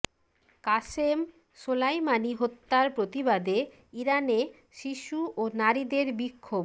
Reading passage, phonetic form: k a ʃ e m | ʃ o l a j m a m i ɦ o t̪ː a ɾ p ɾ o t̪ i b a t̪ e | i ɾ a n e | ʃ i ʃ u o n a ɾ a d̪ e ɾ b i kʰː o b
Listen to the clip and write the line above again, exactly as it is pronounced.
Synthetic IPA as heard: k a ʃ e m | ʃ o l a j m a n i ɦ o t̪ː a ɾ p ɾ o t̪ i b a d̪ e | i ɾ a n e | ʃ i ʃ u o n a ɾ i d̪ e ɾ b i kʰː o b